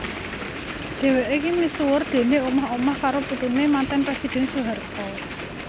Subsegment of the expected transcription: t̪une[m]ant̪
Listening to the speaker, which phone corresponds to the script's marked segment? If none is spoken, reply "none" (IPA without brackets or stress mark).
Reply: m